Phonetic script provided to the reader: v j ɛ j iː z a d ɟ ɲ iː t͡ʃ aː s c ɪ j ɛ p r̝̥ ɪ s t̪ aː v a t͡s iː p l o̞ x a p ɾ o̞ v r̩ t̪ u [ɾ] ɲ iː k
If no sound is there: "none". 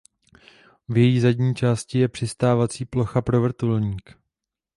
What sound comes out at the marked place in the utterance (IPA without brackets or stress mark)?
l